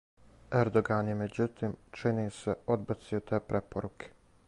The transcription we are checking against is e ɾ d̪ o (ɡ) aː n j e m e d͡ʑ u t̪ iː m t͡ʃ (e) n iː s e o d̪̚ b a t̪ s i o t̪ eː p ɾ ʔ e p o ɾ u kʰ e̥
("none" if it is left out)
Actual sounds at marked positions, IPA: ɡ, i

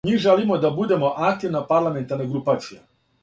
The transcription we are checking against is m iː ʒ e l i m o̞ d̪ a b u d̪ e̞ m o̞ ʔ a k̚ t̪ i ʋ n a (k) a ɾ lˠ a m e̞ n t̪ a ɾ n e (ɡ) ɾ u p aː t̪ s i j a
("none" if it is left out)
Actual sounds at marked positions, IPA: p, ɡ

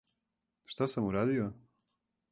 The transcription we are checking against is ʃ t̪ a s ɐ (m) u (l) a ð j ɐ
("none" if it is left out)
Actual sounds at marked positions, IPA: m, ɾ

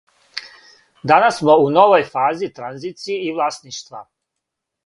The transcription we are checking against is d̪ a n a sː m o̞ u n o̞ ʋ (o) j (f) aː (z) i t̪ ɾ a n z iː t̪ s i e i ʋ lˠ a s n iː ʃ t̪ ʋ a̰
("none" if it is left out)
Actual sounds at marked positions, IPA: o, f, z

